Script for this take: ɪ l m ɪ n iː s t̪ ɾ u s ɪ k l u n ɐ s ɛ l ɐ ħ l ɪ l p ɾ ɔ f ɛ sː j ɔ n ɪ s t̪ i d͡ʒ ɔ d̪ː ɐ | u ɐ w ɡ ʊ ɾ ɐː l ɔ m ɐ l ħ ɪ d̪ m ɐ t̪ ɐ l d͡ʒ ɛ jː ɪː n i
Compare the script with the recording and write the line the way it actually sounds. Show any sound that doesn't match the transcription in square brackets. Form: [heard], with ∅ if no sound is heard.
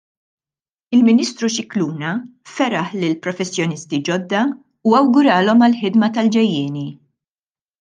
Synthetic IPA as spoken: ɪ l m ɪ n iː s t̪ ɾ u [ʃ] ɪ k l [uː] n ɐ [f] ɛ [ɾ] ɐ ħ l ɪ l p ɾ ɔ f ɛ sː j ɔ n ɪ s t̪ i d͡ʒ ɔ d̪ː ɐ | u ɐ w ɡ ʊ ɾ ɐː l ɔ m ɐ l ħ ɪ d̪ m ɐ t̪ ɐ l d͡ʒ ɛ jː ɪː n i